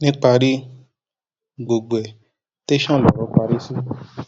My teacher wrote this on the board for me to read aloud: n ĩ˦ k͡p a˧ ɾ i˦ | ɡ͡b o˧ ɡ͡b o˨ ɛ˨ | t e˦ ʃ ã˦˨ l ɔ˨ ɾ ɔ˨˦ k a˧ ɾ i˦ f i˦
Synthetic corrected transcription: n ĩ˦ k͡p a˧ ɾ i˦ | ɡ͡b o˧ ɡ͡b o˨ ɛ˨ | t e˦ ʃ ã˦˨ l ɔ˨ ɾ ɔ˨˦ k͡p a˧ ɾ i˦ s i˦